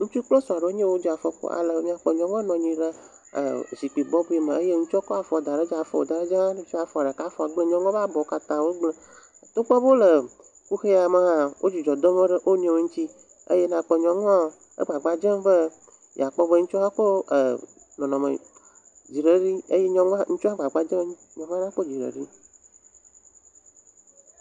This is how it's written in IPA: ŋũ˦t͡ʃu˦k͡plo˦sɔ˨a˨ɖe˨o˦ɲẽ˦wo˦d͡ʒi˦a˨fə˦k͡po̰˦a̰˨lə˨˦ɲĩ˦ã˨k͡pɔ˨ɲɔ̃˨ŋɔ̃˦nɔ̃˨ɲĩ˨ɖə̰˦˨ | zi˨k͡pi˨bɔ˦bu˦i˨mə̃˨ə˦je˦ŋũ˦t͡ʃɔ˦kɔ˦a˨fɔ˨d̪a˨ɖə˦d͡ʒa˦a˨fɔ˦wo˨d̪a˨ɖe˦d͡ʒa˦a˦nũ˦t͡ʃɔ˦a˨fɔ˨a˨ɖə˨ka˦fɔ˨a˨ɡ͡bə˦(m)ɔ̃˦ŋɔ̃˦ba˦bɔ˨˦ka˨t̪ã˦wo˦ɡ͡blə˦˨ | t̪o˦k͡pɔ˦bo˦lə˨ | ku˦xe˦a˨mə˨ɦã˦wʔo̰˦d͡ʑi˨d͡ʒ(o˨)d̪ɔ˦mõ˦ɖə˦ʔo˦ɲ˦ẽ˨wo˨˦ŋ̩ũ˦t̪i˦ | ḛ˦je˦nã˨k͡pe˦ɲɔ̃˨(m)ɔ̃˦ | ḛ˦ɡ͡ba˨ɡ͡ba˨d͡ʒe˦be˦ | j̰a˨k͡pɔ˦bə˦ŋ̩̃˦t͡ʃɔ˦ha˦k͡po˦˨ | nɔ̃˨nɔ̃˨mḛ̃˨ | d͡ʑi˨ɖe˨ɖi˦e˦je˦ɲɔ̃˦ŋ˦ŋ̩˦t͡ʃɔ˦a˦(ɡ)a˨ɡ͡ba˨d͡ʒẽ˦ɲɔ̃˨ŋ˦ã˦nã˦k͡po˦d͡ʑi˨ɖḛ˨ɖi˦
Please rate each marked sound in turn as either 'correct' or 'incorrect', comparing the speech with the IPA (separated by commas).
incorrect, incorrect, incorrect, incorrect